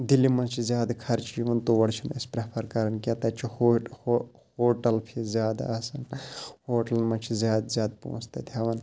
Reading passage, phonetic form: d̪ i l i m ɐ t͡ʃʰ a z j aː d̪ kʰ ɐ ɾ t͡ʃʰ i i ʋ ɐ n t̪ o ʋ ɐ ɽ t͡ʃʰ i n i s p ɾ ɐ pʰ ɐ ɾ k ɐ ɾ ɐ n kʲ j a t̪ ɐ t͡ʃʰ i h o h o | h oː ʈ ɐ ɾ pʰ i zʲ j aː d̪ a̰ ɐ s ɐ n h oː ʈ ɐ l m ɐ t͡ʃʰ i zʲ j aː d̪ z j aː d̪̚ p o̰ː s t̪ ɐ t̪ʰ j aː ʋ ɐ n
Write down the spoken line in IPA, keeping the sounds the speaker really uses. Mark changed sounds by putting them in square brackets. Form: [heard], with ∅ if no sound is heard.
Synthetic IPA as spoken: d̪ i l i m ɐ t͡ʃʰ [i] z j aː d̪ kʰ ɐ ɾ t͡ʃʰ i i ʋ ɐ n t̪ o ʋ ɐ ɽ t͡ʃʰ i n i s p ɾ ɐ pʰ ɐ ɾ k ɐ ɾ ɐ n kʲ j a t̪ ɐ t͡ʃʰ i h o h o | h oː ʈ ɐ [l] pʰ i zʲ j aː d̪ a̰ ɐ s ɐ n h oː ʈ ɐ l m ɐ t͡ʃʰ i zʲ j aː d̪ z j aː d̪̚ p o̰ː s t̪ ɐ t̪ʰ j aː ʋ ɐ n